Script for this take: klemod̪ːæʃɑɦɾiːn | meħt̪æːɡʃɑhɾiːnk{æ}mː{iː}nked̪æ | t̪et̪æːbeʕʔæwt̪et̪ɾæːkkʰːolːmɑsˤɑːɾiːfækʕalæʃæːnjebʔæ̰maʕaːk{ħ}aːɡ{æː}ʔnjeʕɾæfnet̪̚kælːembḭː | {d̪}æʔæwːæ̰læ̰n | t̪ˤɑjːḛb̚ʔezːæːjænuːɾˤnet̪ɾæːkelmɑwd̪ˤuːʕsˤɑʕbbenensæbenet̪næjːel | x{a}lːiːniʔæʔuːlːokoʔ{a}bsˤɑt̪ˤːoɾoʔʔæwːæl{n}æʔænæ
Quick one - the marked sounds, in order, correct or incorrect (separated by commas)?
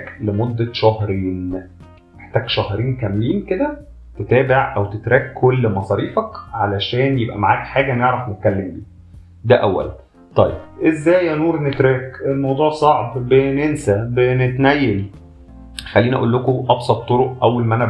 correct, correct, correct, incorrect, correct, incorrect, incorrect, incorrect